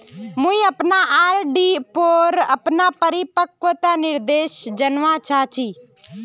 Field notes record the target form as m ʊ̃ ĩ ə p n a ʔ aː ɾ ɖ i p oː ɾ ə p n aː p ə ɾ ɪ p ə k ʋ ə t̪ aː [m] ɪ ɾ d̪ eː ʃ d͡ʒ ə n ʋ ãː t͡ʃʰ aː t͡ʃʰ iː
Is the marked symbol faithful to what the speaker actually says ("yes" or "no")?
no